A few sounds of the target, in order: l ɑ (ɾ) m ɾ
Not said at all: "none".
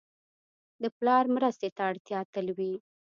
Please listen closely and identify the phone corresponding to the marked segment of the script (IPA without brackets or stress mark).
ɾ